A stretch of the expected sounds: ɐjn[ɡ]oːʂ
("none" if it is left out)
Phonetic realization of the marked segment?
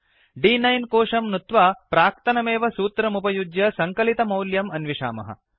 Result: k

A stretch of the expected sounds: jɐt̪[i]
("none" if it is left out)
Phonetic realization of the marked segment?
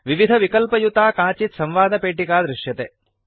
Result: e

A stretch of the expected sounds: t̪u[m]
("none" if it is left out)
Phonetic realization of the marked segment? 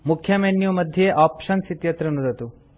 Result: none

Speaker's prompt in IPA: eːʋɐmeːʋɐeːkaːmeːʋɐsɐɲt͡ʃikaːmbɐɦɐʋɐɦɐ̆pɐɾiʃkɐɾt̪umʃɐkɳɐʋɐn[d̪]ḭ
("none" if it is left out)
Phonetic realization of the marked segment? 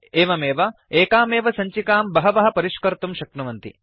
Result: t̪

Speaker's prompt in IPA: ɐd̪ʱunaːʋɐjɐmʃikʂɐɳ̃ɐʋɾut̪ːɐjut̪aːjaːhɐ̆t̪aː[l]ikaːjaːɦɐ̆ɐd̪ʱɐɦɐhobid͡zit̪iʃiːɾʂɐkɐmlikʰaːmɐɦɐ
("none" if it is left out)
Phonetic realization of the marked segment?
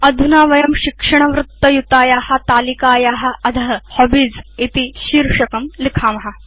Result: l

